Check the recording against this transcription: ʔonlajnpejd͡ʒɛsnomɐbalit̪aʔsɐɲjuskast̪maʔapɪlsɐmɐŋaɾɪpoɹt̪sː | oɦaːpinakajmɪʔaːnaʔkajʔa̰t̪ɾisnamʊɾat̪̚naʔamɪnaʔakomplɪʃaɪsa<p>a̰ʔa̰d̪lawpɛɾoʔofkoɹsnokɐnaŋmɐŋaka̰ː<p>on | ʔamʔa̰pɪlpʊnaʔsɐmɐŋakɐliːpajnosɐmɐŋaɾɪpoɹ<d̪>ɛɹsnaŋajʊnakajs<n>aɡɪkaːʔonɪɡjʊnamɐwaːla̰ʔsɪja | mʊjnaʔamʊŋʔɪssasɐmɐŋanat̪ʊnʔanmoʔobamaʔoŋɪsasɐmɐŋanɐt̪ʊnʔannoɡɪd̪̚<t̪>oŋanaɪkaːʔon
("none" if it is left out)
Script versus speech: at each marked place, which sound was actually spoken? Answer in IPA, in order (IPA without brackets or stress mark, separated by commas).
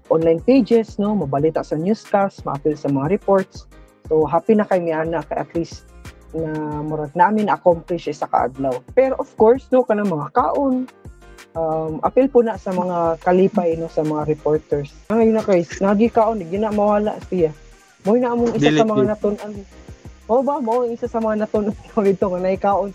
k, ʔ, t̪, n, t̪